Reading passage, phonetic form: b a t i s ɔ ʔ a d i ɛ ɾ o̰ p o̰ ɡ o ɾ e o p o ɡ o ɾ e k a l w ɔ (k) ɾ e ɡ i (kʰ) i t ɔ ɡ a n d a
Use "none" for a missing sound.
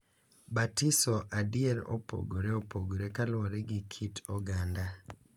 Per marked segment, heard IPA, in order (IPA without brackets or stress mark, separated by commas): none, kʰ